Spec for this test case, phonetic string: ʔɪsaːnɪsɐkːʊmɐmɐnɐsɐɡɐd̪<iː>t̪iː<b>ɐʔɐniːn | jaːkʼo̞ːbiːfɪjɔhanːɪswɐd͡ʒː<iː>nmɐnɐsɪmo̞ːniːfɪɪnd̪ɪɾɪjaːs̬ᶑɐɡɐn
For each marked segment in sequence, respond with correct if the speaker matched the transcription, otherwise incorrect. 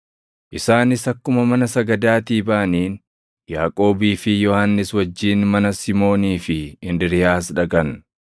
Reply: incorrect, correct, correct

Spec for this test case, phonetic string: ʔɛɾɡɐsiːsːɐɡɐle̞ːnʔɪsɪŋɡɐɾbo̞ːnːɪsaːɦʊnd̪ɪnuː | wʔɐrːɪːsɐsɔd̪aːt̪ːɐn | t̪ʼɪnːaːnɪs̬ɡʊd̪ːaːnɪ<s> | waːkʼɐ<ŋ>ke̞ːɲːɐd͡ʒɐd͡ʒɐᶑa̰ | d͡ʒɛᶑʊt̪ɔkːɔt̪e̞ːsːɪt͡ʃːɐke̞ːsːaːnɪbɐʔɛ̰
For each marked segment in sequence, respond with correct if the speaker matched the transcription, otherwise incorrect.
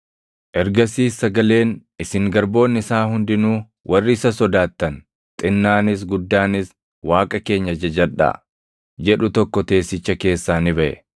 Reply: correct, incorrect

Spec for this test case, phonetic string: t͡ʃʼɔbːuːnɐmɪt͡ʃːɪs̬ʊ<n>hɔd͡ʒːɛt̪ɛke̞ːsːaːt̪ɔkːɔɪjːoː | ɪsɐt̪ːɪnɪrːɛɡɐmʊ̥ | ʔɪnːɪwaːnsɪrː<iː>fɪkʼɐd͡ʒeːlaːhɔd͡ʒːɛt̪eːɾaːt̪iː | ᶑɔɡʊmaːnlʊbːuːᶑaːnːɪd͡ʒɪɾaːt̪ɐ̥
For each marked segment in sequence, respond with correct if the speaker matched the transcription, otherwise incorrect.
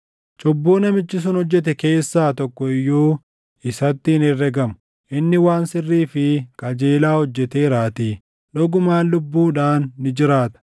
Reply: correct, correct

